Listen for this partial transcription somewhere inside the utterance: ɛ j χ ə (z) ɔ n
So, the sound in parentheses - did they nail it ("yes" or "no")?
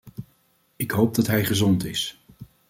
yes